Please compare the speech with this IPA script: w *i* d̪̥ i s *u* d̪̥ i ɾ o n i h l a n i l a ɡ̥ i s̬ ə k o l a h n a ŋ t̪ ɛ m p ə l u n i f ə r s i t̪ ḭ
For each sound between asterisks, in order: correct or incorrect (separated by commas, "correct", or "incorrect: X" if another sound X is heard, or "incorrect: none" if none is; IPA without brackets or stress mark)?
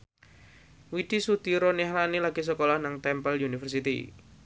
correct, correct